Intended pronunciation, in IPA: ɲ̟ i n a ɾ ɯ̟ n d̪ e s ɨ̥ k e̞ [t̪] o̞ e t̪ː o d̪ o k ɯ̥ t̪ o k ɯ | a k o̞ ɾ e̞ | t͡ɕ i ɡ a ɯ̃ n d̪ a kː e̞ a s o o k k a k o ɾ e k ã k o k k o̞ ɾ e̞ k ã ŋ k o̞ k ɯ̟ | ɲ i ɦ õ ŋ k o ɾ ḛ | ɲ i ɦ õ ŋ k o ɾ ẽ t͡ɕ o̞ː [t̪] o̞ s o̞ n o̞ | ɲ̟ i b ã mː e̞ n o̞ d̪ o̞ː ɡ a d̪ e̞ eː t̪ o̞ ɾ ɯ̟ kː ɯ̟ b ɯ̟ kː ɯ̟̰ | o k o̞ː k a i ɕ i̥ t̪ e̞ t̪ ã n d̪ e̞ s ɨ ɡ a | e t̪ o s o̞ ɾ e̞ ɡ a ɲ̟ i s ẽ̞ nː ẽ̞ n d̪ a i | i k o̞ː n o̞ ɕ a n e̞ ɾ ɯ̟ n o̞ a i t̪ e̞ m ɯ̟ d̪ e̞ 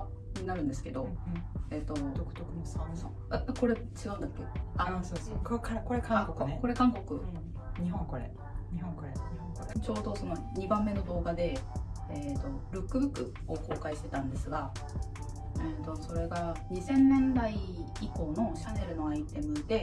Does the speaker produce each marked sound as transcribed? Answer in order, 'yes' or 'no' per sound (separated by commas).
no, no